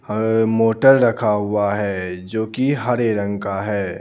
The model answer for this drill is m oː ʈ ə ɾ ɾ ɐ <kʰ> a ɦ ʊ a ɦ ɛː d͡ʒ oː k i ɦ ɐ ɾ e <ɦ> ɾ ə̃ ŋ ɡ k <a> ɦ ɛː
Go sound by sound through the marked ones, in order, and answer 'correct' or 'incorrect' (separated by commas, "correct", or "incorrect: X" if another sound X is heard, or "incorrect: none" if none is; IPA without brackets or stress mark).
correct, incorrect: none, correct